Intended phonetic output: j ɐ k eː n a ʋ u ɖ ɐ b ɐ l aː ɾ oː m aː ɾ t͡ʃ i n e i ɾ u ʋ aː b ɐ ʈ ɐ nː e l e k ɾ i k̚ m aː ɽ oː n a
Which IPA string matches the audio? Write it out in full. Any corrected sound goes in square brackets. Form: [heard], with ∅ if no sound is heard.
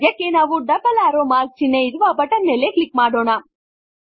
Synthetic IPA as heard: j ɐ k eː n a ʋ u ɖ ɐ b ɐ l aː ɾ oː m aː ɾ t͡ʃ i n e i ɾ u ʋ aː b ɐ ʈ ɐ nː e l e k [l] i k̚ m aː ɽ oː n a